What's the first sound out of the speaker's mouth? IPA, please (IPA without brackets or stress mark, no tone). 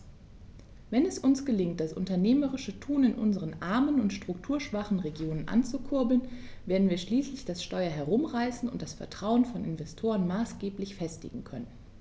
v